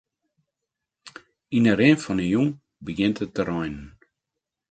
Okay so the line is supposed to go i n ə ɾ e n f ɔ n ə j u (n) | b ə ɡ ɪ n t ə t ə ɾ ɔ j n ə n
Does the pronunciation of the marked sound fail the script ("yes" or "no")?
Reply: yes